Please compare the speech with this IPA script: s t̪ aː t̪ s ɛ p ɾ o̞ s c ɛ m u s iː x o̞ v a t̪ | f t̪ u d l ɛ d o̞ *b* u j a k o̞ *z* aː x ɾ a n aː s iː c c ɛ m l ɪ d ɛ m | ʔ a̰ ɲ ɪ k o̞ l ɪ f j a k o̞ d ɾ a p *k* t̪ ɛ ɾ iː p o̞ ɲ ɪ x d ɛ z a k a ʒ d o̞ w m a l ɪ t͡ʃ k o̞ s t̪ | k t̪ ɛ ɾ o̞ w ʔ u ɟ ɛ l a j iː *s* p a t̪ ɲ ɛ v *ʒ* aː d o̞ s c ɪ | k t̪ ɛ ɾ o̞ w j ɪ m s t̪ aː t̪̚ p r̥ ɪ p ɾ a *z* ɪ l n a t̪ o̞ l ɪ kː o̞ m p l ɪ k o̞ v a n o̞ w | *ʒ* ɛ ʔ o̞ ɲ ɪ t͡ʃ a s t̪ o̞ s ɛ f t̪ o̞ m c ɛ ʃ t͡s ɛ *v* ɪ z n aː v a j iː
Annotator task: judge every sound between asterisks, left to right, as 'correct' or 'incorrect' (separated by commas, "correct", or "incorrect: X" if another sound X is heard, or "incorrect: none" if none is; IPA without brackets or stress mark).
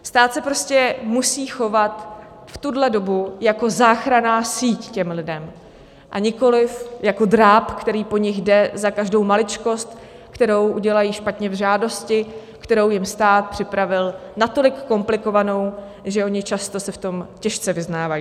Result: correct, correct, correct, incorrect: ʃ, correct, incorrect: v, correct, correct